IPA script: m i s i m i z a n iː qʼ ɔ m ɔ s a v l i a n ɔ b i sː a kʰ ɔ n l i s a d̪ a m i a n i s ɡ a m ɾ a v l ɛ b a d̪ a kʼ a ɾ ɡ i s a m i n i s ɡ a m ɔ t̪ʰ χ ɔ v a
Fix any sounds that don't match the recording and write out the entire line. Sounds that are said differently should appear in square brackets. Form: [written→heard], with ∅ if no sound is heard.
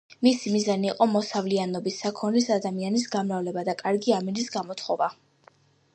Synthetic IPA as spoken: m i s i m i z a n iː qʼ ɔ m ɔ s a v l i a n ɔ b i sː a kʰ ɔ n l i s a d̪ a m i a n i s ɡ a m ɾ a v l ɛ b a d̪ a kʼ a ɾ ɡ i [s→∅] a m i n i s ɡ a m ɔ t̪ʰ χ ɔ v a